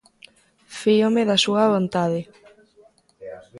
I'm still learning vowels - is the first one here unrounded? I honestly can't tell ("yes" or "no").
yes